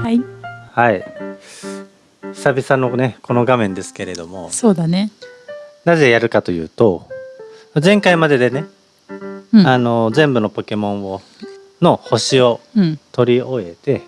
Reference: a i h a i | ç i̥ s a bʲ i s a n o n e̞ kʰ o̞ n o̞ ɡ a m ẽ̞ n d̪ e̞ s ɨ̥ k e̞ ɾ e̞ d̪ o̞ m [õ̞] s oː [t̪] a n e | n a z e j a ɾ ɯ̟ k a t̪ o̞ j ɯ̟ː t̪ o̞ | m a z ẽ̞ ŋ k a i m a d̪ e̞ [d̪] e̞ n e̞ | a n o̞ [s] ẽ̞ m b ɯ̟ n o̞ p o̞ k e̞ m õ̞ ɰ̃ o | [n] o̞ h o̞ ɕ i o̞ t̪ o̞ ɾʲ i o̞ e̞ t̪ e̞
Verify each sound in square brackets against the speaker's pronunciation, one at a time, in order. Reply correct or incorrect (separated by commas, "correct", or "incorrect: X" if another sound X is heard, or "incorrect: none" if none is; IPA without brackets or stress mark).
incorrect: o̞, incorrect: d̪, correct, incorrect: z, correct